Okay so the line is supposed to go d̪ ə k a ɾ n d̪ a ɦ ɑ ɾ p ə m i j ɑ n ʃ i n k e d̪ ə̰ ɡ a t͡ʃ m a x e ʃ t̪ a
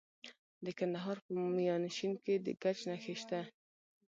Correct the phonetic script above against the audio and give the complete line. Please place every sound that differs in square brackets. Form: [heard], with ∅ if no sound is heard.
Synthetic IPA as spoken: d̪ ə k a [∅] n d̪ a ɦ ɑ ɾ p ə m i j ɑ n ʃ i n k e d̪ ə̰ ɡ a t͡ʃ [n] a x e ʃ t̪ a